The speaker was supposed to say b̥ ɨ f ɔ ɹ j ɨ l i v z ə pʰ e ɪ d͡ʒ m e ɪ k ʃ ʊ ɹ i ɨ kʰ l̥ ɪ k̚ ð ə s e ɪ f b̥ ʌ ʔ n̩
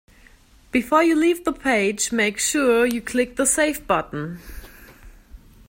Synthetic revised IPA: b̥ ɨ f ɔ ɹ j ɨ l i v ð ə pʰ e ɪ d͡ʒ m e ɪ k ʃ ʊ ɹ j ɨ kʰ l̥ ɪ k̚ ð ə s e ɪ f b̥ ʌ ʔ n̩